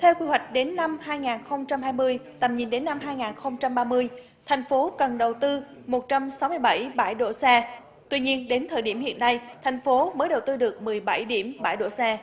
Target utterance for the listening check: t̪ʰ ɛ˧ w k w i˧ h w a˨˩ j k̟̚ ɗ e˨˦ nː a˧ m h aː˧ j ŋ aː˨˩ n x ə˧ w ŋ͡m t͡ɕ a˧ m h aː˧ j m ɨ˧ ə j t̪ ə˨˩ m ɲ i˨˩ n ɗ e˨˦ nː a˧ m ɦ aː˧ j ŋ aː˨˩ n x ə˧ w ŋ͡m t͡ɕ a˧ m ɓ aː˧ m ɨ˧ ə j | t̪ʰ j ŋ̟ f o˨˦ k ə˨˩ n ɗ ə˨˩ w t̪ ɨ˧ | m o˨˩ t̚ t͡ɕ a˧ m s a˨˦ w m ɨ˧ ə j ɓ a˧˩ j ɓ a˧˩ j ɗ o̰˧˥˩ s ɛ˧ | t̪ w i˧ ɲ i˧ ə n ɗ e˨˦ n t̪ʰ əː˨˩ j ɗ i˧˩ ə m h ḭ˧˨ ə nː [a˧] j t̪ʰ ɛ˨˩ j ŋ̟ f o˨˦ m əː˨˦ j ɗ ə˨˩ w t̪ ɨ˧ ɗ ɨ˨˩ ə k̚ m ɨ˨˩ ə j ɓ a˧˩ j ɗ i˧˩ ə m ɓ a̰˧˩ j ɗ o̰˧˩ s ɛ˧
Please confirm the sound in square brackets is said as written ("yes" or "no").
yes